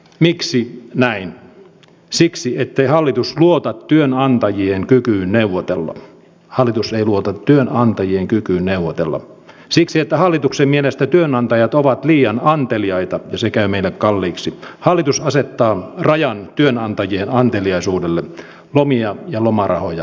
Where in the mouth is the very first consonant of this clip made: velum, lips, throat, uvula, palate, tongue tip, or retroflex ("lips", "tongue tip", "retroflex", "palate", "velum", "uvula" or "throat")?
lips